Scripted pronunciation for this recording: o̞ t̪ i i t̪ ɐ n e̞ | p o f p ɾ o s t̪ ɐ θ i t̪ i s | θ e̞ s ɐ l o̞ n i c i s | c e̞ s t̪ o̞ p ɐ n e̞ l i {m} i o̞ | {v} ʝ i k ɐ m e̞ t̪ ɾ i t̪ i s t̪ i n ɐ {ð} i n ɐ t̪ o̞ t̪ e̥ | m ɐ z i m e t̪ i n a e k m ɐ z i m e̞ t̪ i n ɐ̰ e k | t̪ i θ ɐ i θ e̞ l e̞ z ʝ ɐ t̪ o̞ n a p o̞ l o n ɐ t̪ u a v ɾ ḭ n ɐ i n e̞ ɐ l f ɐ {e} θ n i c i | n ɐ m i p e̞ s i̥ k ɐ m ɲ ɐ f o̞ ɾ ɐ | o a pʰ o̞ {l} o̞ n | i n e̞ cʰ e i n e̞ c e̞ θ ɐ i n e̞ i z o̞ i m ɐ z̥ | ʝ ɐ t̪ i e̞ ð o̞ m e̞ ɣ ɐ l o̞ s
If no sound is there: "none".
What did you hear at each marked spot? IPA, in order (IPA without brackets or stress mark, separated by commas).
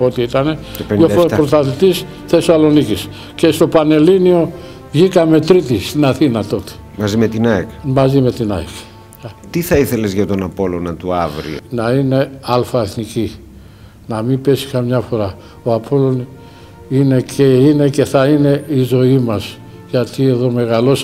n, v, θ, e, l